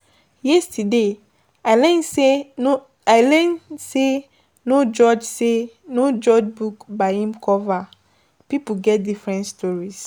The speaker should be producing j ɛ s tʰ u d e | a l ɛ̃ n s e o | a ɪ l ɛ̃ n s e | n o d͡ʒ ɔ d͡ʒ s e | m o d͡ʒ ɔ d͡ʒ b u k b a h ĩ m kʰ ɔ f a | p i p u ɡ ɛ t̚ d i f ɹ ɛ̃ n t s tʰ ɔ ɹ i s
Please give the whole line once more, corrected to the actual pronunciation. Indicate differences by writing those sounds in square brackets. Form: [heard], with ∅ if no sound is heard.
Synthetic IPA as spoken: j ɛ s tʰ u d e | a l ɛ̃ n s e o | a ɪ l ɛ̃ n s e | n o d͡ʒ ɔ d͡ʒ s e | [n] o d͡ʒ ɔ d͡ʒ b u k b a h ĩ m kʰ ɔ [v] a | p i p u ɡ ɛ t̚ d i f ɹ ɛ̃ n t s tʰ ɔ ɹ i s